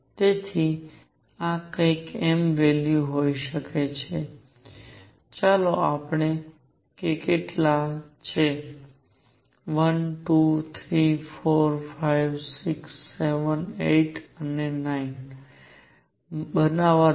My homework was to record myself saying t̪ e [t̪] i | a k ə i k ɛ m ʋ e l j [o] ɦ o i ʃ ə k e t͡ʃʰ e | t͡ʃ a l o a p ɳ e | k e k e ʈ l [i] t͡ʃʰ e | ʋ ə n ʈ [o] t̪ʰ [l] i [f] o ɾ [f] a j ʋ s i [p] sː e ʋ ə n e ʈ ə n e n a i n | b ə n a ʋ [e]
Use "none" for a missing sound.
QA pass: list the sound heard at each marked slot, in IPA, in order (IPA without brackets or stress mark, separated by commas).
t̪ʰ, u, a, u, ɾ, f, f, k, a